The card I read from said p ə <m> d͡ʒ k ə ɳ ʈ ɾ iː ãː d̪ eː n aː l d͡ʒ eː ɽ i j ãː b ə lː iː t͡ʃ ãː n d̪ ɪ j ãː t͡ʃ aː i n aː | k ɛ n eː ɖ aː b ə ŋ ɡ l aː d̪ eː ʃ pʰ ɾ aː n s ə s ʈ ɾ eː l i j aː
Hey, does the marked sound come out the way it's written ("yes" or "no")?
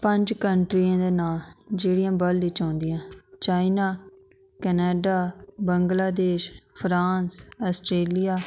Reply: no